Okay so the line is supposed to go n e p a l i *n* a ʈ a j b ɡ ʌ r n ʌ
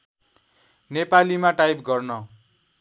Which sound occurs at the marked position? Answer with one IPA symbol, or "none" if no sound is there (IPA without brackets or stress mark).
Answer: m